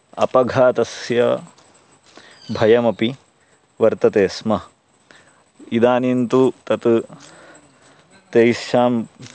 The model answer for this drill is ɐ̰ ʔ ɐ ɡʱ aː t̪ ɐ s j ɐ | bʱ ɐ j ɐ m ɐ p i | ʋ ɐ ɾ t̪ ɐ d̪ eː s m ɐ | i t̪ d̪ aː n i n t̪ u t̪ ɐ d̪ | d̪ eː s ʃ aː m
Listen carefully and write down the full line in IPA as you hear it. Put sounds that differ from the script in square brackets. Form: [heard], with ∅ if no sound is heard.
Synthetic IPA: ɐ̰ [p] ɐ ɡʱ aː t̪ ɐ s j ɐ | bʱ ɐ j ɐ m ɐ p i | ʋ ɐ ɾ t̪ ɐ [t̪] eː s m ɐ | i [∅] d̪ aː n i n t̪ u t̪ ɐ [t̪] | [t̪] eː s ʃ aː m